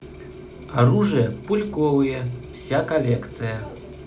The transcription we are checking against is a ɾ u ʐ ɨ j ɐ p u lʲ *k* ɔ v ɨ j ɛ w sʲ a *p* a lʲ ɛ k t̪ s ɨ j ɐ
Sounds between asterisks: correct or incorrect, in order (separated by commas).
correct, incorrect